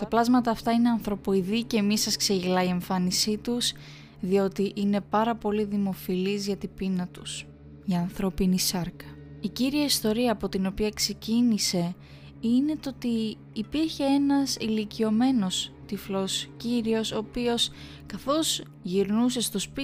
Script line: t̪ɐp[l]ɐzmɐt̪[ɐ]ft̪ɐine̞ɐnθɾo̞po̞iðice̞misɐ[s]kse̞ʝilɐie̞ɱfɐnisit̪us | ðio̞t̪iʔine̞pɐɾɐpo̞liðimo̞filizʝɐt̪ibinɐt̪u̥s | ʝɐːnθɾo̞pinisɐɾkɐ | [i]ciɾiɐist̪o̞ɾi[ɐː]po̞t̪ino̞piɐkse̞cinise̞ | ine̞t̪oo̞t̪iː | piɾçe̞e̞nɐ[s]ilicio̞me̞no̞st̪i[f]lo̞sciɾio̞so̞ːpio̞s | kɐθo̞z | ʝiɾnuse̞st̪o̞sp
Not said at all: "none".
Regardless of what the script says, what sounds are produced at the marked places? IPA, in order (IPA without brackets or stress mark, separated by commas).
l, ɐː, s, i, ɐː, s, f